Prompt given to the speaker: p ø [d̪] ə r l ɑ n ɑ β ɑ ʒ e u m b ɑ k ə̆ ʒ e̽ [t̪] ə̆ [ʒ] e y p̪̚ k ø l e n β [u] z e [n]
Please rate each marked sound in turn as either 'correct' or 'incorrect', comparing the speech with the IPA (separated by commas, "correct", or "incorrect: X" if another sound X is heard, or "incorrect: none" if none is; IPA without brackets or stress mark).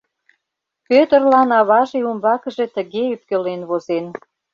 incorrect: t̪, correct, incorrect: ɣ, incorrect: o, correct